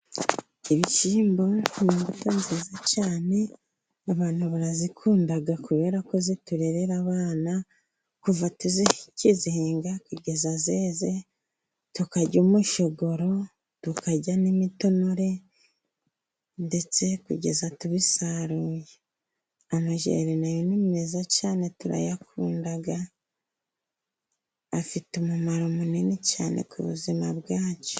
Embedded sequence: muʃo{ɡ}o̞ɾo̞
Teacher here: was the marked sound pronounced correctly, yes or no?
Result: yes